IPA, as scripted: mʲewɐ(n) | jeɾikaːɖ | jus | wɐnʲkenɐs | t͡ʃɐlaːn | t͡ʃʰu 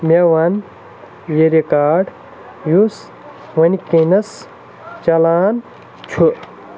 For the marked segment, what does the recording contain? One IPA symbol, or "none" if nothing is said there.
n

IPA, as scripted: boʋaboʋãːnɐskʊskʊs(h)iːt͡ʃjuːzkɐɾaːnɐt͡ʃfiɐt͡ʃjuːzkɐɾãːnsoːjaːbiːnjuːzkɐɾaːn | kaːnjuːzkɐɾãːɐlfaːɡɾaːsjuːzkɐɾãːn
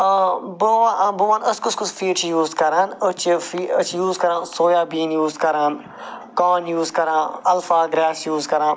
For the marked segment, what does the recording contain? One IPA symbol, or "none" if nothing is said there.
f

